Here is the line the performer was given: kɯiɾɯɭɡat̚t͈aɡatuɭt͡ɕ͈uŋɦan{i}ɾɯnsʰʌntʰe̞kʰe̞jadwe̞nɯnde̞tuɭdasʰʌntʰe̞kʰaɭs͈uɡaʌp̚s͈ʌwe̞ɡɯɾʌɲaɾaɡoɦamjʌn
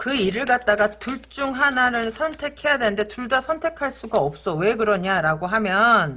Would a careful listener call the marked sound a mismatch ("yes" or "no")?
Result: yes